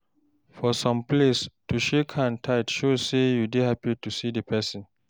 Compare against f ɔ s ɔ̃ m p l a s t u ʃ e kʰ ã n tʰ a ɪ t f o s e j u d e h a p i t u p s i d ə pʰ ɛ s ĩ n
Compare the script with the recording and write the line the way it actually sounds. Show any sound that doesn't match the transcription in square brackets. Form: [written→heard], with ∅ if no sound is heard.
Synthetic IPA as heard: f ɔ s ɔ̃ m p l [a→e] s t u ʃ e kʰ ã n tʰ a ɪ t [f→ʃ] o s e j u d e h a p i t u [p→∅] s i d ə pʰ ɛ s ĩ n